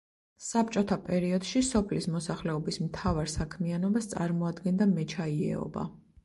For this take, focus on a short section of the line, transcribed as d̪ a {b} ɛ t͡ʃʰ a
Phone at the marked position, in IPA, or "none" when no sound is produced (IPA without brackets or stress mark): m